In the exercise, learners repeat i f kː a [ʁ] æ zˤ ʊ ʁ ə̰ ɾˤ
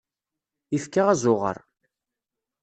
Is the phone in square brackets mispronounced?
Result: no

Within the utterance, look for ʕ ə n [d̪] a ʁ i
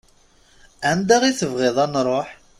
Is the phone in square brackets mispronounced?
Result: no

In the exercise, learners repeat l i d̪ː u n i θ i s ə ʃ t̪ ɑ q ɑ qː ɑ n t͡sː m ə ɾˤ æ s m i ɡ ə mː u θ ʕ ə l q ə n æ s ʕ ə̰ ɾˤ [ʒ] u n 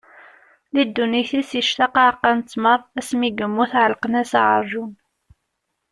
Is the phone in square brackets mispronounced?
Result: no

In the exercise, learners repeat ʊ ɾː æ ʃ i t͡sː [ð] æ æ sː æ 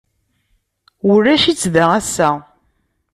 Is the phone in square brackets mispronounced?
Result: no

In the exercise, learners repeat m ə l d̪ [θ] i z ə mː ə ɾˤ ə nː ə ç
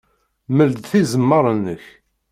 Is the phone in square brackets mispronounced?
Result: no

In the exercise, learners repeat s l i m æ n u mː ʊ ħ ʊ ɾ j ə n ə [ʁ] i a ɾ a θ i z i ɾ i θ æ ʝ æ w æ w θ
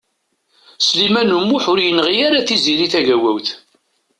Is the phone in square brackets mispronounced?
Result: no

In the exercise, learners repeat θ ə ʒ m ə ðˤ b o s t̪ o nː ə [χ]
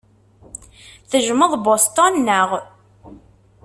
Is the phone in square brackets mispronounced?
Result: yes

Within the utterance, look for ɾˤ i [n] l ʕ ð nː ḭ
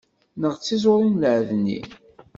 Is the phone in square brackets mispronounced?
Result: no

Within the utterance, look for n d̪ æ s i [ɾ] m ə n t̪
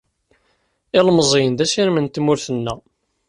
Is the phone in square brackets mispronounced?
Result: no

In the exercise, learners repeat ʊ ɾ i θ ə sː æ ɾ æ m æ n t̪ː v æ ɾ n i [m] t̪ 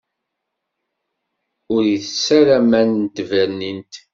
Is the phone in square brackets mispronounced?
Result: yes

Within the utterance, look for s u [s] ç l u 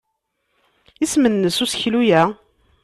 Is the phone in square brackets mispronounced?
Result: no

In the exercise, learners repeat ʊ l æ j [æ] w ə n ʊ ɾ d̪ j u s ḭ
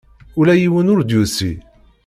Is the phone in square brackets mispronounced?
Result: yes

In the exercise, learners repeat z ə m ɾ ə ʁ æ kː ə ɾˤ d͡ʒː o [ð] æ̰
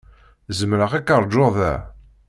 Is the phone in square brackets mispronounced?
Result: no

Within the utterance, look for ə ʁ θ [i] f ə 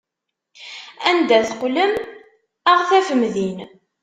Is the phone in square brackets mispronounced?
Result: yes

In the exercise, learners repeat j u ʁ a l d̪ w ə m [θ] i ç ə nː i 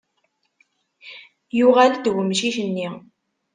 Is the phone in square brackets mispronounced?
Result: yes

